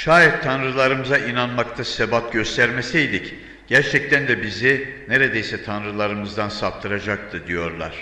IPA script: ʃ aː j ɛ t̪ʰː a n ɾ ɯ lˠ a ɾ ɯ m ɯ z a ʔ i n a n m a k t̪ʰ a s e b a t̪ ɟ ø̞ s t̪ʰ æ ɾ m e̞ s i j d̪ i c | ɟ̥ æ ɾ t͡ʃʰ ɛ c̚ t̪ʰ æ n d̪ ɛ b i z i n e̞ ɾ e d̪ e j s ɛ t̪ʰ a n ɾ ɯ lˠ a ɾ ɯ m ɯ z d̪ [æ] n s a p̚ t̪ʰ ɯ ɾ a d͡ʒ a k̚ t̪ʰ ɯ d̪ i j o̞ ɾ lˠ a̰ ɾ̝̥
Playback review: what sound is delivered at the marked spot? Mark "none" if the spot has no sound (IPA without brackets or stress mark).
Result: a